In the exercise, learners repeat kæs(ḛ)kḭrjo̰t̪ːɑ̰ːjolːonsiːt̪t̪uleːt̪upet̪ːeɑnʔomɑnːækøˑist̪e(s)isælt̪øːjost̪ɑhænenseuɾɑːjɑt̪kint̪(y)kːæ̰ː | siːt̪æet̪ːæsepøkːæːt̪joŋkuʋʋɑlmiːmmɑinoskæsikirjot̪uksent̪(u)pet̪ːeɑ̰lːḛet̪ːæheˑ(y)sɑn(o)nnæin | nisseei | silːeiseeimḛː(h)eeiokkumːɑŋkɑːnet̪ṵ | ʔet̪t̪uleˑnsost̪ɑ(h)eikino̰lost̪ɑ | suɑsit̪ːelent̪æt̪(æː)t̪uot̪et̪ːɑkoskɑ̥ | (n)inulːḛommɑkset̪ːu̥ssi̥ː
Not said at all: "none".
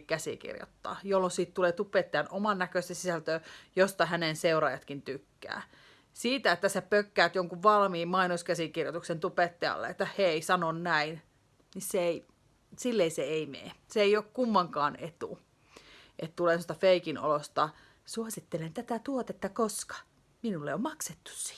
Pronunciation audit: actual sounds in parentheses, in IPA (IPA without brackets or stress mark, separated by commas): ḭ, s, y, u, i, o, s, f, æ, m